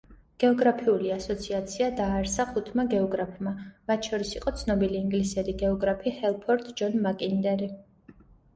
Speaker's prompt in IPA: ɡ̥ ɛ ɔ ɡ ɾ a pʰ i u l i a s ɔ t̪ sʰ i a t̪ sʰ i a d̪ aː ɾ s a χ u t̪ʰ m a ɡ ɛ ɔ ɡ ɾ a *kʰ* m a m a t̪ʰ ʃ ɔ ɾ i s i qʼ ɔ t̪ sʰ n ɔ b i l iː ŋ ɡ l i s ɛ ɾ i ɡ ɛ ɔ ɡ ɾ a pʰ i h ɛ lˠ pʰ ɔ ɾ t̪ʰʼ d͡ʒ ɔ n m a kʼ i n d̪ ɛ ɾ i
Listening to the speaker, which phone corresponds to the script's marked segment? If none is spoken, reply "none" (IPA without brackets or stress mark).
pʰ